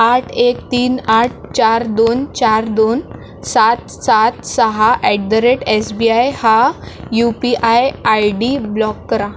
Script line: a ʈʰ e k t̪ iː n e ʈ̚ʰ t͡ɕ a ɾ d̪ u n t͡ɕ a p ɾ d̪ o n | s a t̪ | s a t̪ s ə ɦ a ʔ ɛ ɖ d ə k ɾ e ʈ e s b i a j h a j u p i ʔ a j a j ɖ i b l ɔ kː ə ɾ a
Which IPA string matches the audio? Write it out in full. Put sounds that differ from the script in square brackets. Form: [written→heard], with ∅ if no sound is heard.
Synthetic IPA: a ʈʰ e k t̪ iː n [e→a] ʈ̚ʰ t͡ɕ a ɾ d̪ [u→o] n t͡ɕ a [p→∅] ɾ d̪ o n | s a t̪ | s a t̪ s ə ɦ a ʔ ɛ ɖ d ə [k→∅] ɾ e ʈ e s b i a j h a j u p i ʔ a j a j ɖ i b l ɔ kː ə ɾ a